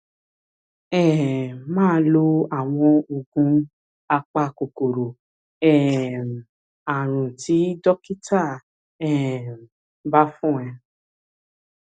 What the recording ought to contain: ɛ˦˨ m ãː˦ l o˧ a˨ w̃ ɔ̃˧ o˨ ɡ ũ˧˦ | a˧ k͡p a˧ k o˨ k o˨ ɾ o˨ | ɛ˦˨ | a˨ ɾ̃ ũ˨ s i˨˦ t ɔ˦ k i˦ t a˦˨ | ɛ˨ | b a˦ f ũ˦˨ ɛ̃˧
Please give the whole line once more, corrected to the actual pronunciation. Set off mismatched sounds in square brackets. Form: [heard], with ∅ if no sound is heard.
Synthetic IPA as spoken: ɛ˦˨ m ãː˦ l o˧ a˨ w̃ ɔ̃˧ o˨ ɡ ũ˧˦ | a˧ k͡p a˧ k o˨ k o˨ ɾ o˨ | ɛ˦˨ | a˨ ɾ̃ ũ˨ [t] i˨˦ [d] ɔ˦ k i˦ t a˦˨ | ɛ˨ | b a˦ f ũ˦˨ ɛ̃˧